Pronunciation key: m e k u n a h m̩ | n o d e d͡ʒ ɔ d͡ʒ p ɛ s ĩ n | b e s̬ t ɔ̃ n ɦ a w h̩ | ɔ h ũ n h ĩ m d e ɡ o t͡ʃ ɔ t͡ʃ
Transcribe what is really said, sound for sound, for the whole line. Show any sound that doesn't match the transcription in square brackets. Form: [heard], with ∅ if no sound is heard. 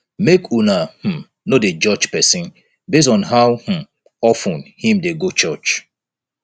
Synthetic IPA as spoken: m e k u n a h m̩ | n o d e d͡ʒ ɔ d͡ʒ p ɛ s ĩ n | b e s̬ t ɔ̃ n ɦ a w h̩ | ɔ [f] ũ n h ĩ m d e ɡ o t͡ʃ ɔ t͡ʃ